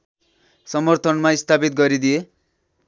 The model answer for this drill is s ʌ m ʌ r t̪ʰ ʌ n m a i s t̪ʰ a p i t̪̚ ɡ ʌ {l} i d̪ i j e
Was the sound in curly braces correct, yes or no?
no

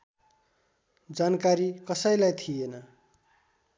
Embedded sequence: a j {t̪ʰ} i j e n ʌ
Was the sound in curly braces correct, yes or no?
yes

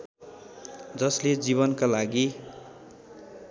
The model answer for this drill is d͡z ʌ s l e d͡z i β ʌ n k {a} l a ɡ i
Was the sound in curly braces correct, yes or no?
yes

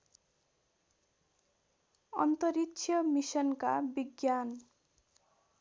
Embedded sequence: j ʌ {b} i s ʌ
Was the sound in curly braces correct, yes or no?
no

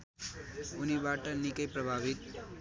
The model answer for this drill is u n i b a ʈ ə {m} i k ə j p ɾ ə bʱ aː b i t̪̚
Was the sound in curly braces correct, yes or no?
no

